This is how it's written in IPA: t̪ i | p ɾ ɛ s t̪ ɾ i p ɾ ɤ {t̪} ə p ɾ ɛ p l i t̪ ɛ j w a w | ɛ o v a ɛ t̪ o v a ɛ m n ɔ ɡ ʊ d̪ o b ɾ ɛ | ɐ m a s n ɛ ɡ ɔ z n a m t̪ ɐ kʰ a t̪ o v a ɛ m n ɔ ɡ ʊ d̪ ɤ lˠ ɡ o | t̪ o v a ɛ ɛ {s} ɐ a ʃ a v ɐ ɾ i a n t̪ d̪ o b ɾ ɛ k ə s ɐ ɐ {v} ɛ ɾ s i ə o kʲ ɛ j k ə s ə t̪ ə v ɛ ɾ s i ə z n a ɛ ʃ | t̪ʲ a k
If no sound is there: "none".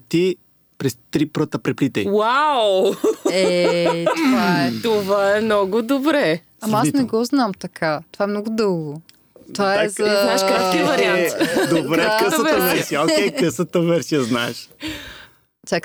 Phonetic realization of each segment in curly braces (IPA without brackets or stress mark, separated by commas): t̪, z, v